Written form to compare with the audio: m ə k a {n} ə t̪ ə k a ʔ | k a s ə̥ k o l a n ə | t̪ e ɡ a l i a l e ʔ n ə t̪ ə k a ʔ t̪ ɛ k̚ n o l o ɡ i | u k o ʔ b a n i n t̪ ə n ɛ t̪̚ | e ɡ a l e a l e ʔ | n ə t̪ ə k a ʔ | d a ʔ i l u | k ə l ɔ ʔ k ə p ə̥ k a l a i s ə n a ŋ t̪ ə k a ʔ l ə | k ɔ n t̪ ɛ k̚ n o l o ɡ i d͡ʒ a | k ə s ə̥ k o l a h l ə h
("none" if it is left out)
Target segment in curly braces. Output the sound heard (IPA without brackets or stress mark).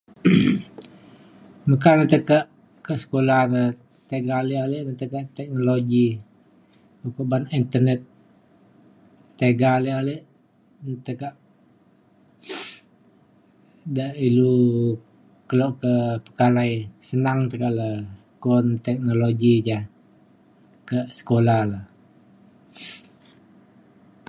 n